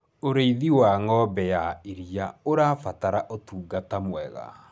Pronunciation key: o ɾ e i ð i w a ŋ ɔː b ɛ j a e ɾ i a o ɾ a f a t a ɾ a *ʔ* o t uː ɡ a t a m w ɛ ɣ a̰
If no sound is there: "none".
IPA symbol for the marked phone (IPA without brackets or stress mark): ʔ